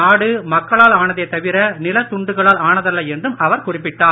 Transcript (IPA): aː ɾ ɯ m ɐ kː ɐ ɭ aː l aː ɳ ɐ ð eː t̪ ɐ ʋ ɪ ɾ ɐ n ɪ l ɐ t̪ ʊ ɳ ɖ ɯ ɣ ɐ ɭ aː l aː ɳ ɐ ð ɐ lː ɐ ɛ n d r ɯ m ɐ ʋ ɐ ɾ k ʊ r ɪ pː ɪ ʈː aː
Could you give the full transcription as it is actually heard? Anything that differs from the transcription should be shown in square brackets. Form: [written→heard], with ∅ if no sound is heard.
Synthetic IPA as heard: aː [ɾ→ɽ] ɯ m ɐ kː ɐ ɭ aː l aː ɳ ɐ ð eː t̪ ɐ ʋ ɪ ɾ ɐ n ɪ l ɐ t̪ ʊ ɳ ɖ ɯ ɣ ɐ ɭ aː l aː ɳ ɐ ð ɐ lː ɐ ɛ n d r ɯ m ɐ ʋ ɐ ɾ k ʊ r ɪ pː ɪ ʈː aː